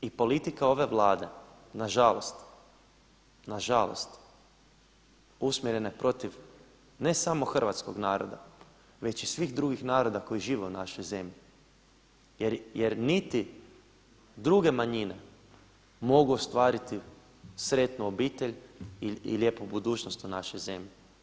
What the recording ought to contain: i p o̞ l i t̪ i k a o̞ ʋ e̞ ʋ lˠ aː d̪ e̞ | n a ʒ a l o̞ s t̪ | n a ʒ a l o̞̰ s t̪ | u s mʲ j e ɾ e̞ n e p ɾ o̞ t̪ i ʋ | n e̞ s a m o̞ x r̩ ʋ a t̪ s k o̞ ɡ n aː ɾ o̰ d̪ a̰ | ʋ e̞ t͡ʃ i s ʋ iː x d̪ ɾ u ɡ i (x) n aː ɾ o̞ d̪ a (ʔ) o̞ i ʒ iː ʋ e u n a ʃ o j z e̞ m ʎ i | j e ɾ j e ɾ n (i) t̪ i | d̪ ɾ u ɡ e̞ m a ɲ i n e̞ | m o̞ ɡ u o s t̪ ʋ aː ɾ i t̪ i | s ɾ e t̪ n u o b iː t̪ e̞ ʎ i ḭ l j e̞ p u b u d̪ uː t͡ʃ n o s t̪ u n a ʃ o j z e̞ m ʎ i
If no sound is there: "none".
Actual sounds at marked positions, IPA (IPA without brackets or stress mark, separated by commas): x, k, i